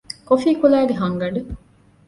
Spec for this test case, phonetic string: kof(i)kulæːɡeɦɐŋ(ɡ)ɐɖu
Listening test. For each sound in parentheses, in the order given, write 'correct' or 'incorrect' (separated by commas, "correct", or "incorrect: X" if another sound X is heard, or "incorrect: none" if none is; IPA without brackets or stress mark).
incorrect: iː, correct